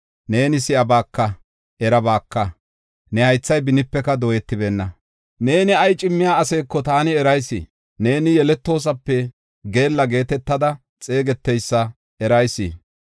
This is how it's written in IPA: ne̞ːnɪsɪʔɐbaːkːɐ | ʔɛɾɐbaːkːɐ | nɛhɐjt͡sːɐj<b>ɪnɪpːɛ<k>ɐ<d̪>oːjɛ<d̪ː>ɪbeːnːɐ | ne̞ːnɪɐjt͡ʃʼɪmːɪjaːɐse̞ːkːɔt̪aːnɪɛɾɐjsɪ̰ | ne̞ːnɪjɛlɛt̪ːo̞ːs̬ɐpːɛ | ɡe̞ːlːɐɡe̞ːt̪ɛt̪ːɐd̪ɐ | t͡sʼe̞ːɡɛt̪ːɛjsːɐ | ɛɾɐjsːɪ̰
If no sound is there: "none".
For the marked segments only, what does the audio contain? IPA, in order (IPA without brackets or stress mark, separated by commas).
b, k, d̪, t̪ː